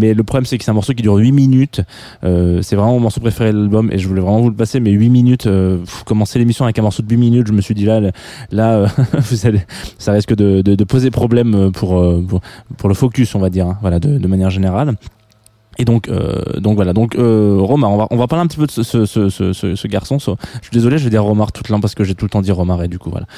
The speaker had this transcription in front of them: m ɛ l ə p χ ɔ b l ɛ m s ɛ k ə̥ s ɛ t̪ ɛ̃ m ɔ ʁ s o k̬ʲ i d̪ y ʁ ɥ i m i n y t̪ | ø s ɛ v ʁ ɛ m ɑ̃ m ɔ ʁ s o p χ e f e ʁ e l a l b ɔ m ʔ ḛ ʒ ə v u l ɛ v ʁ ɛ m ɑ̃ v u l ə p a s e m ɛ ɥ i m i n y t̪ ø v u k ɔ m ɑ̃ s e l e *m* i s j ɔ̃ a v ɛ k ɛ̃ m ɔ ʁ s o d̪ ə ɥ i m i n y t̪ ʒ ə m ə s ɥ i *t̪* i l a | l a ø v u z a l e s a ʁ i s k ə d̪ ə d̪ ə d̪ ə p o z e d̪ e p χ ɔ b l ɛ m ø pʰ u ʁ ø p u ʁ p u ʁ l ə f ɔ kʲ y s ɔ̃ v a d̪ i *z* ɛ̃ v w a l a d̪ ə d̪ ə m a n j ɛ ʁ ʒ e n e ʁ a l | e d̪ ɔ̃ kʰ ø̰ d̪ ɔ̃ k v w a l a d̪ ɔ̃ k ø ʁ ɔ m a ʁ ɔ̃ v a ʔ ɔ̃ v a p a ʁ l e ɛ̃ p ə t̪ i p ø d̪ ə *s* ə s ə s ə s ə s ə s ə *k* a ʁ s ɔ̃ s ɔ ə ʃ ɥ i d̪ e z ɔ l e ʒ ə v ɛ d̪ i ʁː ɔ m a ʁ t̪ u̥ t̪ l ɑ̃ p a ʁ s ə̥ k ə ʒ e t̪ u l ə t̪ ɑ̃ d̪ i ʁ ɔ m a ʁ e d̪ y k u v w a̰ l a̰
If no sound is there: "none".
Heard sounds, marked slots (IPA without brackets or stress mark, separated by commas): m, d̪, ʁ, s, ɡ